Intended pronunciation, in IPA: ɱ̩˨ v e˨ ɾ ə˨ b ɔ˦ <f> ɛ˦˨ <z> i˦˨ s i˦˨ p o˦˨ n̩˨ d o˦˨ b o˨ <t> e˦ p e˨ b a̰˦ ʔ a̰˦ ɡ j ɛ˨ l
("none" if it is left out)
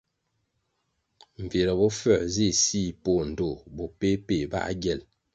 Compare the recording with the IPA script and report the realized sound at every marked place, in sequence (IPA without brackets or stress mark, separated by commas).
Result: f, z, p